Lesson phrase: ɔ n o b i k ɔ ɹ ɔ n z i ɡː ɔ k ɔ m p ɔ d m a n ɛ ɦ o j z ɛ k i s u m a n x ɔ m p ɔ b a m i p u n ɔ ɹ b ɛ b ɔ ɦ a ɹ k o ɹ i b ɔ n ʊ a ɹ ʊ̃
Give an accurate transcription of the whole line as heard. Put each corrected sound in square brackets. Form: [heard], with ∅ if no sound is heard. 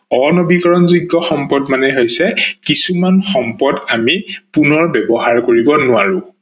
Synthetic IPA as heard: ɔ n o b i k ɔ ɹ ɔ n z i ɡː ɔ [x] ɔ m p ɔ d m a n ɛ ɦ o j [s] ɛ k i s u m a n x ɔ m p ɔ [d] a m i p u n ɔ ɹ b ɛ b ɔ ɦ a ɹ k o ɹ i b ɔ n ʊ a ɹ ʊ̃

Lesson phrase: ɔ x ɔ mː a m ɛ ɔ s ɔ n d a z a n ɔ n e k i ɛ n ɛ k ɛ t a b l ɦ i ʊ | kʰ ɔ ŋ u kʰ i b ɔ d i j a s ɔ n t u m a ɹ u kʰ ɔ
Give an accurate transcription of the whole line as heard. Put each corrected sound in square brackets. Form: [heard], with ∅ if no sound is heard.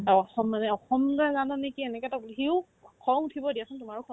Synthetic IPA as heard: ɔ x ɔ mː a [n] ɛ ɔ [x] ɔ [m] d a z a n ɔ n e k i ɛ n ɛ k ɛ t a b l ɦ i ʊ | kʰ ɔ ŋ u [tʰ] i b ɔ d i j a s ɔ n t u m a ɹ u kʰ ɔ

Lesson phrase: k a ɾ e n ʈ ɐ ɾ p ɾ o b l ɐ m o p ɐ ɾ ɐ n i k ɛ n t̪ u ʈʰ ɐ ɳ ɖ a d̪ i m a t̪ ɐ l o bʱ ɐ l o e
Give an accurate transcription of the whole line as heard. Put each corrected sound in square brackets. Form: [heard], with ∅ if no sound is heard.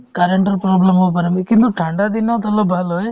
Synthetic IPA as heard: k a ɾ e [ɳ] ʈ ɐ ɾ p ɾ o b l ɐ m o p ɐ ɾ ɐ [m] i k [i] n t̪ u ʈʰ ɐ ɳ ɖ a d̪ i [n] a t̪ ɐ l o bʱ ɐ l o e

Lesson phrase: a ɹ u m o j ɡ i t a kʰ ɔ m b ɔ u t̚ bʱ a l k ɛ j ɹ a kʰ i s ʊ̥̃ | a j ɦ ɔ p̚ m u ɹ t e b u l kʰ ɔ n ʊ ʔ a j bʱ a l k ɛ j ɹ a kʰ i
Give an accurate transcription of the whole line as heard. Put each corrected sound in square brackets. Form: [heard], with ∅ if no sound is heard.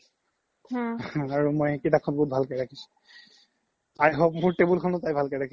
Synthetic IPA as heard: a ɹ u m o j [k] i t a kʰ ɔ [n] b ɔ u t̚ bʱ a l k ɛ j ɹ a kʰ i s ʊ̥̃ | a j ɦ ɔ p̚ m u ɹ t e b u l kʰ ɔ n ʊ [t] a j bʱ a l k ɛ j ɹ a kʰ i

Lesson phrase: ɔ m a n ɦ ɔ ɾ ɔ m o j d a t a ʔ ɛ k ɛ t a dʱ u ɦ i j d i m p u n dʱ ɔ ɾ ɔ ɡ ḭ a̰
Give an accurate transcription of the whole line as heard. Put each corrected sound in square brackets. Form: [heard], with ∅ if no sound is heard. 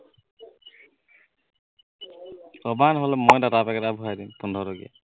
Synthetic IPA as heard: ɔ [b] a n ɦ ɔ [l] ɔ m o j d a t a [p] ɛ k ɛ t a [bʱ] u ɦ [a] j d i m p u n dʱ ɔ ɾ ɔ ɡ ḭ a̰

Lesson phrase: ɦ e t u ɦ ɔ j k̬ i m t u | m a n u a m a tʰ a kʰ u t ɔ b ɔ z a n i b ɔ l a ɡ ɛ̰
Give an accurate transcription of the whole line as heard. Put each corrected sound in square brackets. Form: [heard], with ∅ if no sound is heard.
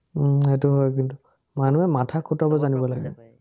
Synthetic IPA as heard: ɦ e t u ɦ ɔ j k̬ i [n] t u | m a n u [ɛ] m a tʰ a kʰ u t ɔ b ɔ z a n i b ɔ l a ɡ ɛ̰

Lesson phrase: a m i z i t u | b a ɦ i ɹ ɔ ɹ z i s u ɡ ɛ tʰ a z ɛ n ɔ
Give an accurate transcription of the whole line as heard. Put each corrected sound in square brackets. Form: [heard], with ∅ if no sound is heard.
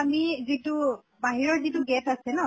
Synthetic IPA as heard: a m i z i t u | b a ɦ i ɹ ɔ ɹ z i [t] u ɡ ɛ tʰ a [s] ɛ n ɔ

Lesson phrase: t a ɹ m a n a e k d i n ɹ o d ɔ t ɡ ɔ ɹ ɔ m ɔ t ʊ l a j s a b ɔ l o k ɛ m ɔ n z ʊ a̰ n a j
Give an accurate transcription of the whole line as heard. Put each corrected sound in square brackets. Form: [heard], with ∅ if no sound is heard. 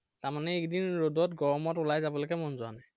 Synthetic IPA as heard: t a ɹ m a n [ɛ] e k d i n ɹ o d ɔ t ɡ ɔ ɹ ɔ m ɔ t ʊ l a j [z] a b ɔ l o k ɛ m ɔ n z ʊ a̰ n a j

